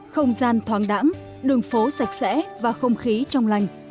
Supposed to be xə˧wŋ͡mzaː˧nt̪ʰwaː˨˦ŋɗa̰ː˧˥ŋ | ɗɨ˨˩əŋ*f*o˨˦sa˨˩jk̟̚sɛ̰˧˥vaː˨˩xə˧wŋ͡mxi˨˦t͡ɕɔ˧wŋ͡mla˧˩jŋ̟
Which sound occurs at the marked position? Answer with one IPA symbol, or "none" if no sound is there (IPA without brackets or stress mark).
f